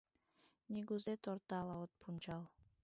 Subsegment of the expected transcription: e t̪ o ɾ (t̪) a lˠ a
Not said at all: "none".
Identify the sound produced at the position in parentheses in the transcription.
t̪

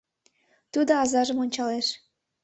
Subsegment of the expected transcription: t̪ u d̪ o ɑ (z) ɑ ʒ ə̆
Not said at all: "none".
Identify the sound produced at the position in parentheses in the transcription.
z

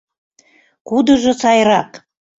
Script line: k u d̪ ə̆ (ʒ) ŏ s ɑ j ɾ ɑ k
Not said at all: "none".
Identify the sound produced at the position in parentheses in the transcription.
ʒ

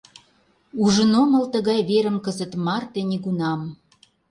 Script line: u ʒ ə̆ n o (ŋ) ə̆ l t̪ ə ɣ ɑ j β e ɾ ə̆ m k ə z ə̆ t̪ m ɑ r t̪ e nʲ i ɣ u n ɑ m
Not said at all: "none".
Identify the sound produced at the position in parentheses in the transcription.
m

